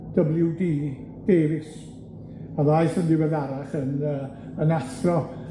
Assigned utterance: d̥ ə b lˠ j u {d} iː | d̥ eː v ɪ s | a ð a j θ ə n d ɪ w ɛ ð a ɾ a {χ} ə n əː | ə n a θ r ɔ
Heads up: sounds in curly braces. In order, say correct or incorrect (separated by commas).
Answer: correct, correct